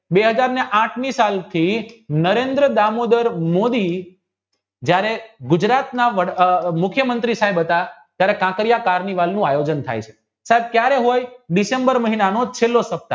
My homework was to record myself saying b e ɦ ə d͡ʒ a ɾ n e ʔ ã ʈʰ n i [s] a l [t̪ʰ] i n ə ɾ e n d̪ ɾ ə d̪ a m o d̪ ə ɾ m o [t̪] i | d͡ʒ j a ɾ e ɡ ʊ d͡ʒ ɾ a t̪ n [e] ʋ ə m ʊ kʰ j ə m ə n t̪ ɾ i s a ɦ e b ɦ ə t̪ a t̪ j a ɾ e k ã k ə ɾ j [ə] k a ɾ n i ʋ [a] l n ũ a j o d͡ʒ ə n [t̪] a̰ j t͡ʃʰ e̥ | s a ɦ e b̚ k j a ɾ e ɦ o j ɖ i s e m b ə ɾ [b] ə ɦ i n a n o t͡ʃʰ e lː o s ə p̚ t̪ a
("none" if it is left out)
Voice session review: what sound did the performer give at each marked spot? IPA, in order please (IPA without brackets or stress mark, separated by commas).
s, t̪ʰ, d̪, a, a, a, t̪ʰ, m